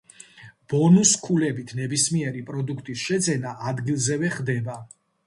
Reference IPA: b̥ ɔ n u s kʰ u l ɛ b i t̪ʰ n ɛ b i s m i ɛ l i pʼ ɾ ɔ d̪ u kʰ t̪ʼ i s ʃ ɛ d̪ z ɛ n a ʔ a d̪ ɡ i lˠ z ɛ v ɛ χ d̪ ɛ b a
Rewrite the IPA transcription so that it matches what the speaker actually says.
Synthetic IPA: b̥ ɔ n u s kʰ u l ɛ b i t̪ʰ n ɛ b i s m i ɛ ɾ i pʼ ɾ ɔ d̪ u kʰ t̪ʼ i s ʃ ɛ d̪ z ɛ n a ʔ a d̪ ɡ i lˠ z ɛ v ɛ χ d̪ ɛ b a

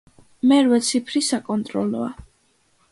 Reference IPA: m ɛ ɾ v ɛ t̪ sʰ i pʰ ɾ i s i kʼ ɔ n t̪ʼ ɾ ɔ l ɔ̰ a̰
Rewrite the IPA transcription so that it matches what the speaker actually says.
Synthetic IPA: m ɛ ɾ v ɛ t̪ sʰ i pʰ ɾ i s a kʼ ɔ n t̪ʼ ɾ ɔ l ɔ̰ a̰

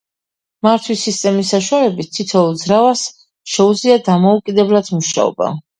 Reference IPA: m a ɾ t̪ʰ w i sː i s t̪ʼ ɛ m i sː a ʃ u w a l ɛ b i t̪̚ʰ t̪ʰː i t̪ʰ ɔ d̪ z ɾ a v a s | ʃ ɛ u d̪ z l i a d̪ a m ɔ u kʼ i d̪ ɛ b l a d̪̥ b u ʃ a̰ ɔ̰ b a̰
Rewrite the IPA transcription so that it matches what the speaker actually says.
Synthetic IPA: m a ɾ t̪ʰ w i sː i s t̪ʼ ɛ m i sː a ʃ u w a l ɛ b i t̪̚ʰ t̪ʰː i t̪ʰ ɔ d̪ z ɾ a v a s | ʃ ɛ u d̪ z l i a d̪ a m ɔ u kʼ i d̪ ɛ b l a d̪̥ m u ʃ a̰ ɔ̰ b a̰

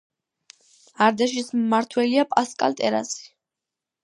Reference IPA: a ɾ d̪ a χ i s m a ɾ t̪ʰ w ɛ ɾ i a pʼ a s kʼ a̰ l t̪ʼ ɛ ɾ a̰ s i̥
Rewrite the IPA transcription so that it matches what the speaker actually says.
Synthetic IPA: a ɾ d̪ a ʃ i s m a ɾ t̪ʰ w ɛ l i a pʼ a s kʼ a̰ l t̪ʼ ɛ ɾ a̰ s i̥

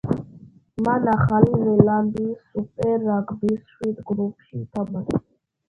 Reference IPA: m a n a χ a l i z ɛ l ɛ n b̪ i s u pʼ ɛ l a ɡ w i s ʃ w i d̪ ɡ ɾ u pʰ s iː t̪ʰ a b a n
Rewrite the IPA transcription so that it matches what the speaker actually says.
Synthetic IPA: m a n a χ a l i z ɛ l a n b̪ i s u pʼ ɛ ɾ a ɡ b i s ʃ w i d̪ ɡ ɾ u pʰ ʃ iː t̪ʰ a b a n

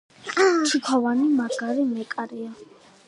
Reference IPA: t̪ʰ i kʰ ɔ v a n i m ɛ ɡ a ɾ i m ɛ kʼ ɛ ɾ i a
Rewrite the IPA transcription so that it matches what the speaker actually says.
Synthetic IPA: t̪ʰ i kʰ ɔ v a n i m a ɡ a ɾ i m ɛ kʼ a ɾ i a

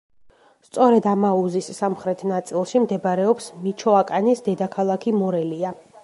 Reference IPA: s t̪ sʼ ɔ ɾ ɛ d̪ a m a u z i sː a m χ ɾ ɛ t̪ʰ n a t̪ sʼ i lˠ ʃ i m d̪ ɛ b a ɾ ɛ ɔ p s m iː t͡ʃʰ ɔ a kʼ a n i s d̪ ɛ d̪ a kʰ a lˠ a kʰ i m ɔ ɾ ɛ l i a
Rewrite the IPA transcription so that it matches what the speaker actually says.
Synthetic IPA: s t̪ sʼ ɔ ɾ ɛ d̪ a m a u z i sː a m χ ɾ ɛ t̪ʰ n a t̪ sʼ i lˠ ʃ i m d̪ ɛ b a ɾ ɛ ɔ p s m i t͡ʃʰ ɔ a kʼ a n i s d̪ ɛ d̪ a kʰ a lˠ a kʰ i m ɔ ɾ ɛ l i a

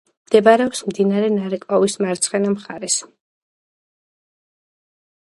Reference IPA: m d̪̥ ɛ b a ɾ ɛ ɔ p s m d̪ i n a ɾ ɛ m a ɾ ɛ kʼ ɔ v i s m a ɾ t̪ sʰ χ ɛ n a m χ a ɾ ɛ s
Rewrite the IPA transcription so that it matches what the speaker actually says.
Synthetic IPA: m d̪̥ ɛ b a ɾ ɛ ɔ p s m d̪ i n a ɾ ɛ n a ɾ ɛ kʼ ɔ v i s m a ɾ t̪ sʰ χ ɛ n a m χ a ɾ ɛ s

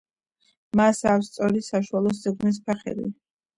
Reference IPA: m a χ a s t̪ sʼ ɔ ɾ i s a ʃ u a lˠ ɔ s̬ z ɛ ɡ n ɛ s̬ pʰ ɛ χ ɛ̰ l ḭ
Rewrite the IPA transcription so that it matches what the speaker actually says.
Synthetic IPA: m a s a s t̪ sʼ ɔ ɾ i s a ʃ u a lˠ ɔ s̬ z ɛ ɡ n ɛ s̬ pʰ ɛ χ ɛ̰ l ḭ

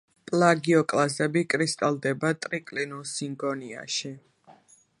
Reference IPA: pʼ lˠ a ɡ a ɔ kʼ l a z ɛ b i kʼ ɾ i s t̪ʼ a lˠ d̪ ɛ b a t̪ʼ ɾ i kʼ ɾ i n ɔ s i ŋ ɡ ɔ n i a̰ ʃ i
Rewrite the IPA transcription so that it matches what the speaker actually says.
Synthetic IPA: pʼ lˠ a ɡ i ɔ kʼ l a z ɛ b i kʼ ɾ i s t̪ʼ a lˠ d̪ ɛ b a t̪ʼ ɾ i kʼ l i n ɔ s i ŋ ɡ ɔ n i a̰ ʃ i

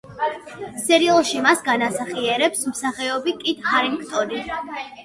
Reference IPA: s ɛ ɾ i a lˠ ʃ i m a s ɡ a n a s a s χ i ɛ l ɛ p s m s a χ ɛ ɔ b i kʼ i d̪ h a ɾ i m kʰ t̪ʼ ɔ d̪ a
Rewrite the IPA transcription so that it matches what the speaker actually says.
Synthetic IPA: s ɛ ɾ i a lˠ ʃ i m a s ɡ a n a s a χ i ɛ ɾ ɛ p s m s a χ ɛ ɔ b i kʼ i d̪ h a ɾ i m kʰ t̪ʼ ɔ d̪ i

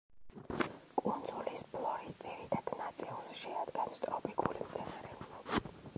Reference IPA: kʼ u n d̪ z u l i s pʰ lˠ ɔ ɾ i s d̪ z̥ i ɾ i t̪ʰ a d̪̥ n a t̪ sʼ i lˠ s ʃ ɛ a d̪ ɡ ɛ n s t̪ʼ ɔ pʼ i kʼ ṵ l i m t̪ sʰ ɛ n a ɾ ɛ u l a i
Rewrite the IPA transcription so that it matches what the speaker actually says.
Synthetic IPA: kʼ u n d̪ z u l i s pʰ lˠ ɔ ɾ i s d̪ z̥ i ɾ i t̪ʰ a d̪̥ n a t̪ sʼ i lˠ s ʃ ɛ a d̪ ɡ ɛ n s t̪ʼ ɔ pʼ i kʼ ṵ l i m t̪ sʰ ɛ n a ɾ ɛ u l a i

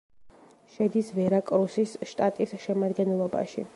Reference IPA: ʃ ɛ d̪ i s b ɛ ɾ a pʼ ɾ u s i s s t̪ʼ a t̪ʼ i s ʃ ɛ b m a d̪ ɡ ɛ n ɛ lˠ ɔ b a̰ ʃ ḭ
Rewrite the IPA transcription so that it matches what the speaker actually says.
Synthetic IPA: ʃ ɛ d̪ i s v ɛ ɾ a kʼ ɾ u s i s ʃ t̪ʼ a t̪ʼ i s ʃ ɛ m a d̪ ɡ ɛ n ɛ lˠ ɔ b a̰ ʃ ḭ

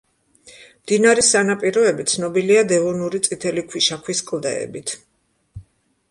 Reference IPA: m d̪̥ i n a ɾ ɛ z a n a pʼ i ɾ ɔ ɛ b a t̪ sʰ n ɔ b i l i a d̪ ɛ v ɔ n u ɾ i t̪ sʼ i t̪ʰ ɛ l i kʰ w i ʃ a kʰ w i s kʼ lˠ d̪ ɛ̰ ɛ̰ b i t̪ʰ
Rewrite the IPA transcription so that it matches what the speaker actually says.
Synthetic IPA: m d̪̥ i n a ɾ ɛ s a n a pʼ i ɾ ɔ ɛ b i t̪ sʰ n ɔ b i l i a d̪ ɛ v ɔ n u ɾ i t̪ sʼ i t̪ʰ ɛ l i kʰ w i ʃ a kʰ w i s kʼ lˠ d̪ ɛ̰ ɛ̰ b i t̪ʰ

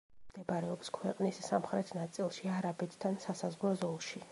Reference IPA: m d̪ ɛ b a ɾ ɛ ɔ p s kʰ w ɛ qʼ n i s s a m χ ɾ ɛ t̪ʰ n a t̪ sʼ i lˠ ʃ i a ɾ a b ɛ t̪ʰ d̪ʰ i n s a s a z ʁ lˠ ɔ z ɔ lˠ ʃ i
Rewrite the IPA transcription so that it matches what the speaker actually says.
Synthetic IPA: m d̪ ɛ b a ɾ ɛ ɔ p s kʰ w ɛ qʼ n i s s a m χ ɾ ɛ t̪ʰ n a t̪ sʼ i lˠ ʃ i a ɾ a b ɛ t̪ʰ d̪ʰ a n s a s a z ʁ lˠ ɔ z ɔ lˠ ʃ i

